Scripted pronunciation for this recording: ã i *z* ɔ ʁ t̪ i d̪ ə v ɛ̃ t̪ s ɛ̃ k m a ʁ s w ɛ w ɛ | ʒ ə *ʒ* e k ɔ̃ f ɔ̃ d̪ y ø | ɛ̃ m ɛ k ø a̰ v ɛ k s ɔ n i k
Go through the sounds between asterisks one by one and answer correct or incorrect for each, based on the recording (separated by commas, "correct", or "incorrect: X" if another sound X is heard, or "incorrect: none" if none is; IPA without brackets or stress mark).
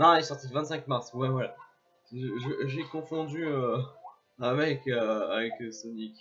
incorrect: s, correct